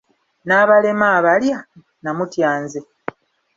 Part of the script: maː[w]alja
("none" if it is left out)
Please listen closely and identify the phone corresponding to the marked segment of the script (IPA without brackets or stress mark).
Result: β